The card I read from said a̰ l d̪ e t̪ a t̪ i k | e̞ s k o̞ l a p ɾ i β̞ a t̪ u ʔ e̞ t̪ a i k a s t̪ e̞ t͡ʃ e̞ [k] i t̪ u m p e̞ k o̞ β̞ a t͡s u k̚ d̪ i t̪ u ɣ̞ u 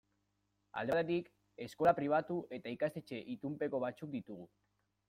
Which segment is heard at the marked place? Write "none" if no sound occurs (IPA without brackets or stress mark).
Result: ʔ